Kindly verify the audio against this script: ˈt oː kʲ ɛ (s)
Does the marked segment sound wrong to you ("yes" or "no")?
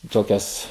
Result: no